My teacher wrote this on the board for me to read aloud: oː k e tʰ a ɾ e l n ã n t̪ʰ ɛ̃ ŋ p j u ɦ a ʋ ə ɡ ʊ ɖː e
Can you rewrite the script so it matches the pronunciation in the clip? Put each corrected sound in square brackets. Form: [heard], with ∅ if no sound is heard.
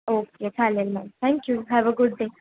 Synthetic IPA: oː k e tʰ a [l] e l [m] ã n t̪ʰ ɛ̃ ŋ [k] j u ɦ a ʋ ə ɡ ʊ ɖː e